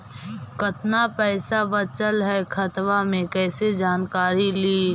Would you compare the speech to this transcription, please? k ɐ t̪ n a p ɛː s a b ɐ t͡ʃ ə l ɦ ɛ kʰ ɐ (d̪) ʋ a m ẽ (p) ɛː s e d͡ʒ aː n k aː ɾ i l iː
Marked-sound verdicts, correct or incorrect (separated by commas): incorrect, incorrect